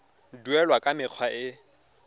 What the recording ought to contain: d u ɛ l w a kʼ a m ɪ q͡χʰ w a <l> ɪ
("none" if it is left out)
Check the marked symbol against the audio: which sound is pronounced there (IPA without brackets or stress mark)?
none